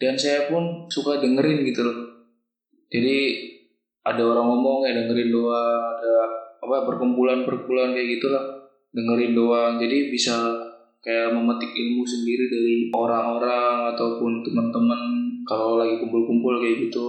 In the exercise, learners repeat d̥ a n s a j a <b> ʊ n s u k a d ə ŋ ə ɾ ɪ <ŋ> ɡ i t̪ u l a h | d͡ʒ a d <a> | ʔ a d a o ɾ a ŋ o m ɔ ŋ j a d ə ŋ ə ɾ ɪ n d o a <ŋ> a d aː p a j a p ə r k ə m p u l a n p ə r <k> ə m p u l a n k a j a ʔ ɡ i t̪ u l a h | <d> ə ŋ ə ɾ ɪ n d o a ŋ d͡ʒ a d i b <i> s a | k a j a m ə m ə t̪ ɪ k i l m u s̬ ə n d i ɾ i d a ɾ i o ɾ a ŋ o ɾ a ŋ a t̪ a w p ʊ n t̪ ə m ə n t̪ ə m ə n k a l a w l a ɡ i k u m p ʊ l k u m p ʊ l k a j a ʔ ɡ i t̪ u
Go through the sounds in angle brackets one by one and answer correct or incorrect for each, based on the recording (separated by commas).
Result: incorrect, incorrect, incorrect, correct, correct, correct, correct